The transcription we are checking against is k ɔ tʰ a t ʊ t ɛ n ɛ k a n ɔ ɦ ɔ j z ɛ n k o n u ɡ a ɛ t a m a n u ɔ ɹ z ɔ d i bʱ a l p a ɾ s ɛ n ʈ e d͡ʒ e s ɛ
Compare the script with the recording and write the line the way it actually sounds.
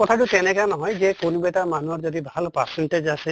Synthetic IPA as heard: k ɔ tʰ a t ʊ t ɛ n ɛ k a n ɔ ɦ ɔ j z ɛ k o n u b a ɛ t a m a n u ɔ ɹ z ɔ d i bʱ a l p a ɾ s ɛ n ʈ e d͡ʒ a s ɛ